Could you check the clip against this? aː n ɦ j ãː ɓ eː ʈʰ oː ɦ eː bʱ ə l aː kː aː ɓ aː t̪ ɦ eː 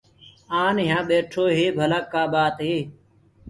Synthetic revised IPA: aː n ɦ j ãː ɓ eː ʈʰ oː ɦ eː bʱ ə l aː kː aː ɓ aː t̪ ɦ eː